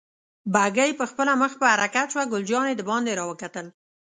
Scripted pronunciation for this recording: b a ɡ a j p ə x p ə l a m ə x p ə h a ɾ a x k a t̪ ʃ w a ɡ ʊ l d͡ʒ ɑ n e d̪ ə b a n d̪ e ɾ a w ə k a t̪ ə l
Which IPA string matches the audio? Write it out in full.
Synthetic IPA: b a ɡ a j p ə x p ə l a m ə x p ə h a ɾ a k a t̪ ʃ w a ɡ ʊ l d͡ʒ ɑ n e d̪ ə b ɑ n d̪ e ɾ ɑ w ə k a t̪ ə l